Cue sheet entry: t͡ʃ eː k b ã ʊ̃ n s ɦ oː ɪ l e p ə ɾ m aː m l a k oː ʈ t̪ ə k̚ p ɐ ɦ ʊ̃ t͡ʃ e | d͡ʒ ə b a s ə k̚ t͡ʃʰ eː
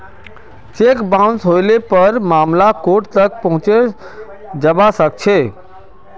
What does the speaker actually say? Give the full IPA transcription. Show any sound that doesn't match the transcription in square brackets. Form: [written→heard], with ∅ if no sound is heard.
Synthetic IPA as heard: t͡ʃ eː k b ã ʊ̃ n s ɦ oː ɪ l e p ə ɾ m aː m l a k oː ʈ t̪ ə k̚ p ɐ ɦ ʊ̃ t͡ʃ e | d͡ʒ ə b a s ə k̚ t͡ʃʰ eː

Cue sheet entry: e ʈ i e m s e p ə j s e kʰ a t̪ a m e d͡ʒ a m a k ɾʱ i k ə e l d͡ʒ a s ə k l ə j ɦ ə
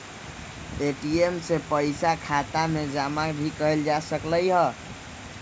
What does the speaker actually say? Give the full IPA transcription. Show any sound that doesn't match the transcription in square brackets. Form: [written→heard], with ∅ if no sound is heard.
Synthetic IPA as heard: e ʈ i e m s e p ə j s [e→a] kʰ a t̪ a m e d͡ʒ a m a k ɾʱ i k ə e l d͡ʒ a s ə k l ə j ɦ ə

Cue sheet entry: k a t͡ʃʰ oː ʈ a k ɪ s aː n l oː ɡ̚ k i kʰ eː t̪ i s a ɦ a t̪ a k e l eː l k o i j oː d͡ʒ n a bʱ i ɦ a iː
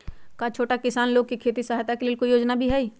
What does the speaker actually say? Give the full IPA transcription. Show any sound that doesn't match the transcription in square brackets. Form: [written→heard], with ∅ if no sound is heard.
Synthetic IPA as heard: k a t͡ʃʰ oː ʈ a k ɪ s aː n l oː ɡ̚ k i kʰ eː t̪ i s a ɦ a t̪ a k e l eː l k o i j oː d͡ʒ n a bʱ i ɦ [a→ɛ] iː

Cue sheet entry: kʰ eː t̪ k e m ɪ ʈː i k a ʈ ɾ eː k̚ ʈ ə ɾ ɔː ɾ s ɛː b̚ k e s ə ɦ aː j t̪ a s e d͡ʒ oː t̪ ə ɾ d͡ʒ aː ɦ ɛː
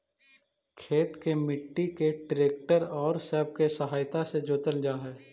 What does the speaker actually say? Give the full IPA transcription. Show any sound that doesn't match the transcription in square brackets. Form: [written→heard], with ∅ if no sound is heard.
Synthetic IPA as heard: kʰ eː t̪ k e m ɪ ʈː i k [a→e] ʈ ɾ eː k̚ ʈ ə ɾ ɔː ɾ s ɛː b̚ k e s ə ɦ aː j t̪ a s e d͡ʒ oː t̪ ə [ɾ→l] d͡ʒ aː ɦ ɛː

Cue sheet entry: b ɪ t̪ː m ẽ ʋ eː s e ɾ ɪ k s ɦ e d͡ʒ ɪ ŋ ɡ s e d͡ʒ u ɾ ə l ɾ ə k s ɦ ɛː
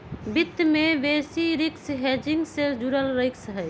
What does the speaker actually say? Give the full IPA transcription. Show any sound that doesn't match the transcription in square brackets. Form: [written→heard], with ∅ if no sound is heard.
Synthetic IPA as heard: b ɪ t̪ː m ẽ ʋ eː s [e→i] ɾ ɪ k s ɦ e d͡ʒ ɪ ŋ ɡ s e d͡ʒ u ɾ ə l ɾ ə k s ɦ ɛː

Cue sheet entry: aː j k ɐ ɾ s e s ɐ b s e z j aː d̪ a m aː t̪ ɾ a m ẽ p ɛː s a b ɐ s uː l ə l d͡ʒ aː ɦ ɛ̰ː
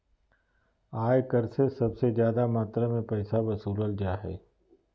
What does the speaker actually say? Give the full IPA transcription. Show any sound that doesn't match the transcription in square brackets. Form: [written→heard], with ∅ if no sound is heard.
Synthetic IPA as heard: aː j k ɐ ɾ s e s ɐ b s e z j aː d̪ a m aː t̪ ɾ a m ẽ p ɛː s a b ɐ s uː l ə l d͡ʒ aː ɦ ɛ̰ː

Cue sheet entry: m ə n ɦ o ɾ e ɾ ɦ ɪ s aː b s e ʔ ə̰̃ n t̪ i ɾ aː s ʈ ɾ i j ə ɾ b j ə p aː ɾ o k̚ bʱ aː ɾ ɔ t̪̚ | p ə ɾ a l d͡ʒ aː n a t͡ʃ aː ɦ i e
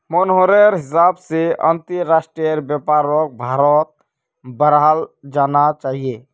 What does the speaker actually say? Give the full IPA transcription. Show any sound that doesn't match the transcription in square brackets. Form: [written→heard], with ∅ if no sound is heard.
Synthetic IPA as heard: m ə n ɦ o ɾ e ɾ ɦ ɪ s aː b s e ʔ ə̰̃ n t̪ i ɾ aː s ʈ ɾ i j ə ɾ b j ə p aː ɾ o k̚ bʱ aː ɾ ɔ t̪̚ | [p→b] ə ɾ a l d͡ʒ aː n a t͡ʃ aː ɦ i e

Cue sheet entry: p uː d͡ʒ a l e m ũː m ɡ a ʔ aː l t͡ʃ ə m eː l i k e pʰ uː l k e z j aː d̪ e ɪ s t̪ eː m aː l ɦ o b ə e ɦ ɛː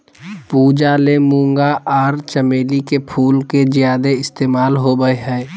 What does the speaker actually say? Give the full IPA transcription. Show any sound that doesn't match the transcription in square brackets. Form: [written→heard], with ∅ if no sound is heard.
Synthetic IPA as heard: p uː d͡ʒ a l e m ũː [m→ŋ] ɡ a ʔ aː [l→ɾ] t͡ʃ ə m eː l i k e pʰ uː l k e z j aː d̪ e ɪ s t̪ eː m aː l ɦ o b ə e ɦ ɛː

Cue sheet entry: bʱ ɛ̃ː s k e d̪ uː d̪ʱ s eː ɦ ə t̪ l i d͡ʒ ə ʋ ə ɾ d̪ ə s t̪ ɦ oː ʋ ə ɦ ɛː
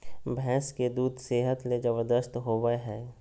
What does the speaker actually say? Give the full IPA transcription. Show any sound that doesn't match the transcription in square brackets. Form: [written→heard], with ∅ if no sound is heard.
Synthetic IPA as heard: bʱ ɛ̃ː s k e d̪ uː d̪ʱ s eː ɦ ə t̪ l [i→e] d͡ʒ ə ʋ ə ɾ d̪ ə s t̪ ɦ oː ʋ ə ɦ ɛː

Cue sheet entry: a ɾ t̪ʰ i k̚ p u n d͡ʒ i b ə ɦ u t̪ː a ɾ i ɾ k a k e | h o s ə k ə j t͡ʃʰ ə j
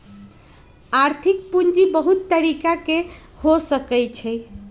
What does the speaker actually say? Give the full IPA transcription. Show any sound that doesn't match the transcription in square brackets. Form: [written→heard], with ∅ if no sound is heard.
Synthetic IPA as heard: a ɾ t̪ʰ i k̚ p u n d͡ʒ i b ə ɦ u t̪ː [a→ə] ɾ i [ɾ→∅] k a k e | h o s ə k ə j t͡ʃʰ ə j

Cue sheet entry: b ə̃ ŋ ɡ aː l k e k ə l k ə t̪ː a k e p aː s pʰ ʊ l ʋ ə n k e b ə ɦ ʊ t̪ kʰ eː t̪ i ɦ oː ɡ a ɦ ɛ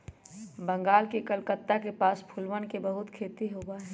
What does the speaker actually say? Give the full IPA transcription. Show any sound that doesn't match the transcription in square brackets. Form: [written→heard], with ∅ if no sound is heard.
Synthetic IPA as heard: b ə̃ ŋ ɡ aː l k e k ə l k ə t̪ː a k e p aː s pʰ ʊ l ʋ ə n k e b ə ɦ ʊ t̪ kʰ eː t̪ i ɦ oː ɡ a ɦ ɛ

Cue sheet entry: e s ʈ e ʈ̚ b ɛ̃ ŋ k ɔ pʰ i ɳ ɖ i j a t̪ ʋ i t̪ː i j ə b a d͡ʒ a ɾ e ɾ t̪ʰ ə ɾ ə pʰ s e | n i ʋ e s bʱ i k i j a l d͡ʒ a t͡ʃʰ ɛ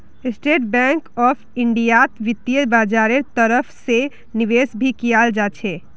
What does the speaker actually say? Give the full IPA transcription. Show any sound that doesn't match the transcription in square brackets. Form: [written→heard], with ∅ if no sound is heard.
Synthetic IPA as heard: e s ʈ e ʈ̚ b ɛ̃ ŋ k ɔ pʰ i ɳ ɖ i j a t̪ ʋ i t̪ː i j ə b a d͡ʒ a ɾ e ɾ [t̪ʰ→t̪] ə ɾ ə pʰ s e | n i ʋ e s bʱ i k i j a l d͡ʒ a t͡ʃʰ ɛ

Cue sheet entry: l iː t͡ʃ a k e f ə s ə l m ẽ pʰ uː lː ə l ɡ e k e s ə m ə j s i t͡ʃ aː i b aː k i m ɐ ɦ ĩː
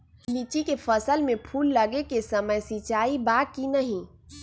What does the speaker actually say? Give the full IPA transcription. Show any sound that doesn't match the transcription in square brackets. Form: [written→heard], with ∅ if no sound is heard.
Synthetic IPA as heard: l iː t͡ʃ [a→i] k e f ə s ə l m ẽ pʰ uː lː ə [l→∅] ɡ e k e s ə m ə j s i t͡ʃ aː i b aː k i [m→n] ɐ ɦ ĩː

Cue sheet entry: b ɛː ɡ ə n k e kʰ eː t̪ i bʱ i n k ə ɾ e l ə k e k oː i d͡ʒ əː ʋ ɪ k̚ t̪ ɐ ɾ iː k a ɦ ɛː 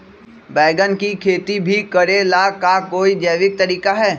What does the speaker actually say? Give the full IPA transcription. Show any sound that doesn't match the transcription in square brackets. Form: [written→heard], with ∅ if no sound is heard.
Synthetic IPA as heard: b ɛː ɡ ə n k [e→i] kʰ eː t̪ i bʱ i [n→∅] k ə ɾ e l [ə→a] k [e→a] k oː i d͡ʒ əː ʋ ɪ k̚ t̪ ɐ ɾ iː k a ɦ ɛː

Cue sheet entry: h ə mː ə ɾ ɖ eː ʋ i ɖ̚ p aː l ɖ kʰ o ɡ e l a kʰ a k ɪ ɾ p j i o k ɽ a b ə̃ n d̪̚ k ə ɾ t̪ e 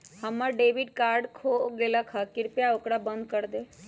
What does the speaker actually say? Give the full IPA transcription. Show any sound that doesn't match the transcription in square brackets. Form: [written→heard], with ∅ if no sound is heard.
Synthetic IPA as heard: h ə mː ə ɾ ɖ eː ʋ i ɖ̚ [p→k] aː [l→ɾ] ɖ kʰ o ɡ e l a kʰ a k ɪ ɾ p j [i→a] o k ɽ a b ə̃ n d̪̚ k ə ɾ [t̪→d̪] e

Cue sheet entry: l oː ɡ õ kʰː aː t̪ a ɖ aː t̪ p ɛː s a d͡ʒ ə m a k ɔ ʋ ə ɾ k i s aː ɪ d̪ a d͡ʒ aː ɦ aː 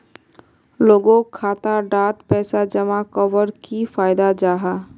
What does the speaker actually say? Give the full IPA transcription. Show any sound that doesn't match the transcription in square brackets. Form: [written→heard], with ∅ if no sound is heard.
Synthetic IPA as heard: l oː ɡ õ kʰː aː t̪ a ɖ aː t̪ p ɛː s a d͡ʒ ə m a k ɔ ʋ ə ɾ k i [s→f] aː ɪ d̪ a d͡ʒ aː ɦ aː

